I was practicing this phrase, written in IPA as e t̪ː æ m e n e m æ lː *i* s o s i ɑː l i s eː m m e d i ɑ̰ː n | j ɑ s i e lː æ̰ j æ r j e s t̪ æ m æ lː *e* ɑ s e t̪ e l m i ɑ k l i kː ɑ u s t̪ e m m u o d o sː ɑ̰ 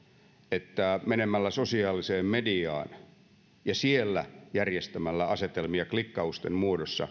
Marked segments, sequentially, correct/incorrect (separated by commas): incorrect, incorrect